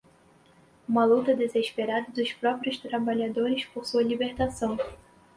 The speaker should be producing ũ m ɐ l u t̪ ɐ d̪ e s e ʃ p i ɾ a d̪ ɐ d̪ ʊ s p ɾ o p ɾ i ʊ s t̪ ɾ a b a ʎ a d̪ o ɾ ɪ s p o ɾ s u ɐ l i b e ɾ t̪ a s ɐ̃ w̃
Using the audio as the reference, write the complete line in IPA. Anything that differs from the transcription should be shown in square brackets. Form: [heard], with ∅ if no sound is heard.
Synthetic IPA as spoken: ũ m ɐ l u t̪ ɐ d̪ e [z] e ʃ p [e] ɾ a d̪ ɐ d̪ ʊ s p ɾ [ɔ] p ɾ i ʊ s t̪ ɾ a b a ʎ a d̪ o ɾ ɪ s p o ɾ s u ɐ l i b e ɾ t̪ a s ɐ̃ w̃